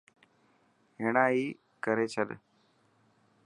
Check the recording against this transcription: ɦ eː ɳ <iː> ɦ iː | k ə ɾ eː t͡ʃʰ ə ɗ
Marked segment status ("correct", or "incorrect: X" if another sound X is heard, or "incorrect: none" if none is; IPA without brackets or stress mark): incorrect: aː